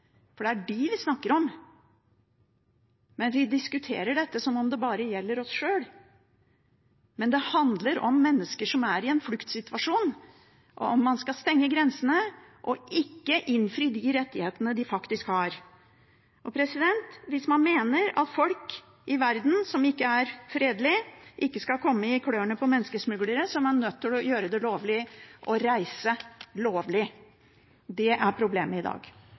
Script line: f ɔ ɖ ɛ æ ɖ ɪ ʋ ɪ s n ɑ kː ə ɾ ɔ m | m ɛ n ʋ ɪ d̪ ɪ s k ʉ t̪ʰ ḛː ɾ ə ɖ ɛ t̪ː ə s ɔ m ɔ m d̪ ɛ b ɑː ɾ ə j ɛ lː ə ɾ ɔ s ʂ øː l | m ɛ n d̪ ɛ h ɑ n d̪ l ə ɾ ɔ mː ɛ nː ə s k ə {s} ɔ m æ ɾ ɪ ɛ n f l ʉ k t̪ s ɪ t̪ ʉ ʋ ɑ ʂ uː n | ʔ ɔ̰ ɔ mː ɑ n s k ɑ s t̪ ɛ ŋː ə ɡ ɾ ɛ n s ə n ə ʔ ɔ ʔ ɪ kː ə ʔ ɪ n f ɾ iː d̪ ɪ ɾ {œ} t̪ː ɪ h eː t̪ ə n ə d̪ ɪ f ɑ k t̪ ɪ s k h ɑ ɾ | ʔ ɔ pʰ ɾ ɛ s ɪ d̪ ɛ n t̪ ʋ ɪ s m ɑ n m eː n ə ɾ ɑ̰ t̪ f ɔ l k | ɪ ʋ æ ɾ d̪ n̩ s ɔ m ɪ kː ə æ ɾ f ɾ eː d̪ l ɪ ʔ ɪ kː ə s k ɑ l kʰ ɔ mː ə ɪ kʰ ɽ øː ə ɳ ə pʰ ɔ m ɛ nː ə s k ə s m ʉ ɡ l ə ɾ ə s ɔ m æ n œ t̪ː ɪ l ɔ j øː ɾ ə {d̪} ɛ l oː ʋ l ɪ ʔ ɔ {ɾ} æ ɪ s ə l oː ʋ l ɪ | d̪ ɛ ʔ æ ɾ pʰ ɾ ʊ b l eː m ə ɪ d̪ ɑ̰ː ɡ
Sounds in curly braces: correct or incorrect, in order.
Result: incorrect, incorrect, correct, correct

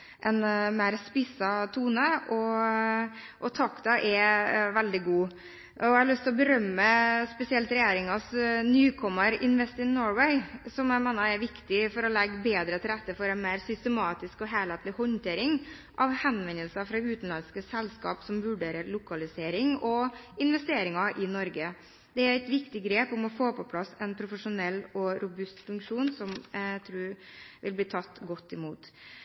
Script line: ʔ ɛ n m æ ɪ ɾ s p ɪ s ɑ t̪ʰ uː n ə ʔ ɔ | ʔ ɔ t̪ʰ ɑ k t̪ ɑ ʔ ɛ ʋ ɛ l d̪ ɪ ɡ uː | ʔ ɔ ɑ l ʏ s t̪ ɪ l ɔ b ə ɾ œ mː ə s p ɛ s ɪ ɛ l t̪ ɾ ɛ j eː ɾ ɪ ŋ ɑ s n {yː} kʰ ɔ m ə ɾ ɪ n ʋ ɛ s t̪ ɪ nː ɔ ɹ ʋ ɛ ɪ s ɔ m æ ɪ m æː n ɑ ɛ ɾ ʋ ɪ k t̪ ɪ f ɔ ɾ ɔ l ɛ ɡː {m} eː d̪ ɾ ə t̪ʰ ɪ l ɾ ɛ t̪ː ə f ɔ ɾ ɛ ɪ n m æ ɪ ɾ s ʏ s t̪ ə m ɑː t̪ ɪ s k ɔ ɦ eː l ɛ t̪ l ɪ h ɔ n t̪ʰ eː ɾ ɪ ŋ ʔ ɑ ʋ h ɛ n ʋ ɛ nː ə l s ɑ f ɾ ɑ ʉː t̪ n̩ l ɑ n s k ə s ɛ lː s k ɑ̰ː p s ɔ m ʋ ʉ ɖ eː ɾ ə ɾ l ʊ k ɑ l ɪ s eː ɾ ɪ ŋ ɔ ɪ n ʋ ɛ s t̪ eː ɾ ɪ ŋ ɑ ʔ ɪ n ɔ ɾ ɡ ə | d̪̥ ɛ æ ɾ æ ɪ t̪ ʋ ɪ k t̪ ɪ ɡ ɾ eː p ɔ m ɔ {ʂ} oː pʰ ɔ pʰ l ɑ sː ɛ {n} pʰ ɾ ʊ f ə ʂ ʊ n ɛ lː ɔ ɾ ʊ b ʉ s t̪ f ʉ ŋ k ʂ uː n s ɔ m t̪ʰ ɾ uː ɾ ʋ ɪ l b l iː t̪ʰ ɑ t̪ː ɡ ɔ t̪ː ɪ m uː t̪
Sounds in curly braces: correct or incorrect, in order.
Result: correct, incorrect, incorrect, correct

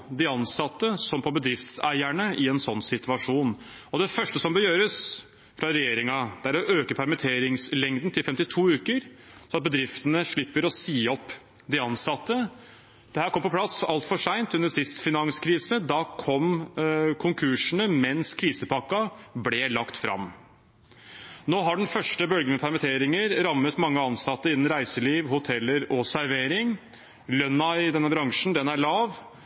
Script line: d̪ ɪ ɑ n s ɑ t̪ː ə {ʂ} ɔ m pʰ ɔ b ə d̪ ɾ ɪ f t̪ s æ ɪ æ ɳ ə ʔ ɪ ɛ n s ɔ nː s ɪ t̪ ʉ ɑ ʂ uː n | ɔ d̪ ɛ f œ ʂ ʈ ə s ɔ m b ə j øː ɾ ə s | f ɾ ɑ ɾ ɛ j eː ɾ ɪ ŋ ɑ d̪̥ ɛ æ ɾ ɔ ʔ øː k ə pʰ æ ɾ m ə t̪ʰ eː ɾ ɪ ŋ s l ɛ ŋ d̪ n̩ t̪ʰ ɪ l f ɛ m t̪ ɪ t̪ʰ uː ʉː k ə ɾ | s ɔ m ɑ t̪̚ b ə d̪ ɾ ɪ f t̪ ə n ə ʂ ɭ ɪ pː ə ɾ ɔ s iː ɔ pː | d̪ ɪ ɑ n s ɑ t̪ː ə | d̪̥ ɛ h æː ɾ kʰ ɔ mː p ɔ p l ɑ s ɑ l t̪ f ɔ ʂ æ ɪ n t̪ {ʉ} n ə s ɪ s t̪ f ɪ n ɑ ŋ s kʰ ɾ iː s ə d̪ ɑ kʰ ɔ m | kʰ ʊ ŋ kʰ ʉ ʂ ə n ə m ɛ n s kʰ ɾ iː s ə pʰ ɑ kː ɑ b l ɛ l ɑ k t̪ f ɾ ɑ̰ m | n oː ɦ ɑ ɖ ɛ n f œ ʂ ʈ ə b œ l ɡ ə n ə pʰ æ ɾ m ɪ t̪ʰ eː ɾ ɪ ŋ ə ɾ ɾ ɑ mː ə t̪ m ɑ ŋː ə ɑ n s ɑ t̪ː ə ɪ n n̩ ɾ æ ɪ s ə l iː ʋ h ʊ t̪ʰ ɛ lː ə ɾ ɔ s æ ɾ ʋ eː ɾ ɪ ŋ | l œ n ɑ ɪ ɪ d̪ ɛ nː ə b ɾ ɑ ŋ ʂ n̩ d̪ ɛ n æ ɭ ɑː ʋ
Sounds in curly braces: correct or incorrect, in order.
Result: incorrect, correct

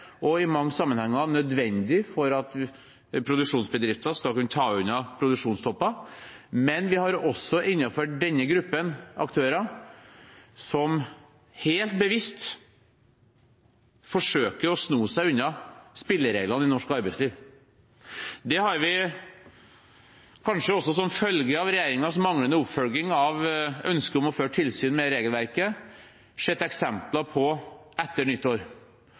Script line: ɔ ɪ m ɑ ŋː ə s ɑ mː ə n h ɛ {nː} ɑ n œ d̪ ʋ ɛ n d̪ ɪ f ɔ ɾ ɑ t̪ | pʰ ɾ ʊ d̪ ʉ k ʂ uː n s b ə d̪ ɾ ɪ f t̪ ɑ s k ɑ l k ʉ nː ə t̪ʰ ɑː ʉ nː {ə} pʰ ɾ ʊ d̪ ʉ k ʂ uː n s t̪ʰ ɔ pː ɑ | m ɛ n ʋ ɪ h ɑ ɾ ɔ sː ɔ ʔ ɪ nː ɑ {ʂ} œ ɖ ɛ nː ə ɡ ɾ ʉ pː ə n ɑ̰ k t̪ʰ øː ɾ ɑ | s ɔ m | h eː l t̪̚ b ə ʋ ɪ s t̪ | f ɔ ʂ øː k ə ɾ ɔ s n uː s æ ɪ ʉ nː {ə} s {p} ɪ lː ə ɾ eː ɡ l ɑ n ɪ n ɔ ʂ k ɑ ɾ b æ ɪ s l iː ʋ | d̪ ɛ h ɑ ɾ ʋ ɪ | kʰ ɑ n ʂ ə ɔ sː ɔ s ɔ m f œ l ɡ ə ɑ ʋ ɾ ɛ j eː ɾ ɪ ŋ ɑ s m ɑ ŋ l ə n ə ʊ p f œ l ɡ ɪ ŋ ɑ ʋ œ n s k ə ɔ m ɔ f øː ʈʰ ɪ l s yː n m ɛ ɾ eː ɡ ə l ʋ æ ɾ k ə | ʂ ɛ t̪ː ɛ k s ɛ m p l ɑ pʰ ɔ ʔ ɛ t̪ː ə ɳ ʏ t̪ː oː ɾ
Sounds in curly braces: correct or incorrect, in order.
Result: incorrect, incorrect, incorrect, incorrect, correct

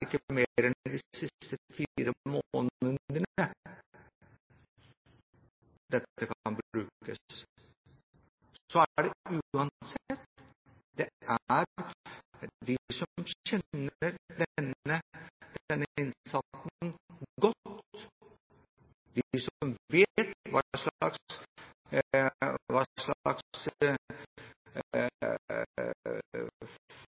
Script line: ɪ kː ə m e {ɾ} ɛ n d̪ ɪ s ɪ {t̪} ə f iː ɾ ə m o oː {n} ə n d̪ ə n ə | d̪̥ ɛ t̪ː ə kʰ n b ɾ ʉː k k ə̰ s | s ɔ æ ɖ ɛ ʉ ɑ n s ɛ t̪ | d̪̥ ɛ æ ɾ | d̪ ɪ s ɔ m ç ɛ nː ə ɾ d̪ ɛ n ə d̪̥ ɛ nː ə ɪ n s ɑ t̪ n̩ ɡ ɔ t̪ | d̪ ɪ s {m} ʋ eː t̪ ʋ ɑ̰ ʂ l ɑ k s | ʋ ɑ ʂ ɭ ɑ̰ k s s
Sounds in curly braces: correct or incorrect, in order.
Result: correct, correct, correct, correct

